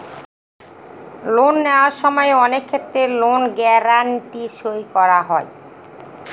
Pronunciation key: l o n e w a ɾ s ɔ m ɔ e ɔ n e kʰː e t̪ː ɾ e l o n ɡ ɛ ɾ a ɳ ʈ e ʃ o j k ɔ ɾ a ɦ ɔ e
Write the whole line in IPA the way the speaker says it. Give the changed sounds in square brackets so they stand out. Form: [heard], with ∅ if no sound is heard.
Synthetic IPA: l o [nː] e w a ɾ [ʃ] ɔ m ɔ e ɔ n e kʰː e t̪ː ɾ e l o n ɡ ɛ ɾ a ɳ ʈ [i] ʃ o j k ɔ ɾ a ɦ ɔ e